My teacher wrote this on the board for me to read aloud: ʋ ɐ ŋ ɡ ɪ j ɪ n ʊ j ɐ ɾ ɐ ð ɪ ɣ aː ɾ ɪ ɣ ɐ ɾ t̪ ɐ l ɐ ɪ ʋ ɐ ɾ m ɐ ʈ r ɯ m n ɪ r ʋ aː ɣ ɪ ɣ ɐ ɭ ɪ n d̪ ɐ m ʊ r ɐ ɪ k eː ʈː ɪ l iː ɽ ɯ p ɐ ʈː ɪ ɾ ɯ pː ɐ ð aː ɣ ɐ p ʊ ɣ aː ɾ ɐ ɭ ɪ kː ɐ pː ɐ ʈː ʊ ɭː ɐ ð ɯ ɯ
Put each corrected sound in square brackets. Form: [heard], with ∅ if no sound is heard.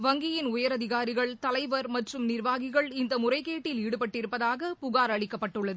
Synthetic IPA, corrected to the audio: ʋ ɐ ŋ ɡ ɪ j ɪ n ʊ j ɐ ɾ ɐ ð ɪ ɣ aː ɾ ɪ ɣ ɐ [ɭ] t̪ ɐ l ɐ ɪ ʋ ɐ ɾ m ɐ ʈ r ɯ m n ɪ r ʋ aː ɣ ɪ ɣ ɐ ɭ ɪ n d̪ ɐ m ʊ r ɐ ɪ k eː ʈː ɪ l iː ɽ ɯ p ɐ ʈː ɪ ɾ ɯ pː ɐ ð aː ɣ ɐ p ʊ ɣ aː ɾ ɐ ɭ ɪ kː ɐ pː ɐ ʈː [ɯ] ɭː ɐ ð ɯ ɯ